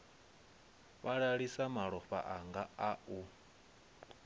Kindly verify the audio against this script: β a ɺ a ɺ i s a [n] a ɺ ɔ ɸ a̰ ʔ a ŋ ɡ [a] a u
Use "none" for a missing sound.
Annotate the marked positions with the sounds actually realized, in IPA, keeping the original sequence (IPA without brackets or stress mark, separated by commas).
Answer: m, a